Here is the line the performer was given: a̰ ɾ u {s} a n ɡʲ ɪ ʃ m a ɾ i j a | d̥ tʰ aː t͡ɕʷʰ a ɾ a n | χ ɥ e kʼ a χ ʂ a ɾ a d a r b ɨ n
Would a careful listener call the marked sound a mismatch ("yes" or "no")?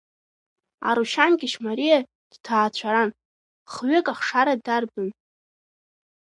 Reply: yes